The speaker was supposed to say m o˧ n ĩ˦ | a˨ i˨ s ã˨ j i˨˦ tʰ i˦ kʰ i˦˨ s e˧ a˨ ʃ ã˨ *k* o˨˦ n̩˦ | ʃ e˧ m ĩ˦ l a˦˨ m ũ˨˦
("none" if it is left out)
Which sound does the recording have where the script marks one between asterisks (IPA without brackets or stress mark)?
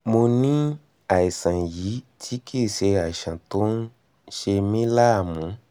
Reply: t